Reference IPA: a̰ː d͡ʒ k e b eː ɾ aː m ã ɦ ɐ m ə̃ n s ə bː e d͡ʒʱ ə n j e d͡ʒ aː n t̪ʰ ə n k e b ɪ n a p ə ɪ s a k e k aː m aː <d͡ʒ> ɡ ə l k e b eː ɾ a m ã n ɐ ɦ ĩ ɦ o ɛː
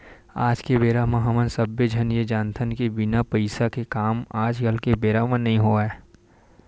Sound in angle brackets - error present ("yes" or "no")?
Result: no